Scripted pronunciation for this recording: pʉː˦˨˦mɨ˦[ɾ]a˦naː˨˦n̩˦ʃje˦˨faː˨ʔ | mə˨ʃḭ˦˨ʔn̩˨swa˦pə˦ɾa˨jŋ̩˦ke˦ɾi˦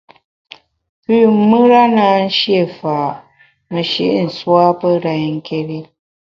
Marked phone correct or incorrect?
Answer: correct